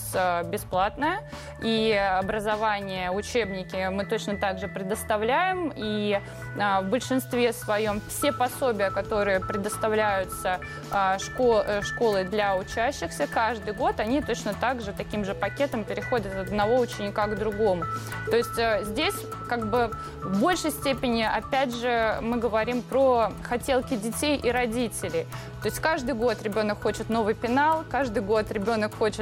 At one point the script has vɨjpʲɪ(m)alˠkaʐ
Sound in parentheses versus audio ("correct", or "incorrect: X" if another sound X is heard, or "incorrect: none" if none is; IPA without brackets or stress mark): incorrect: n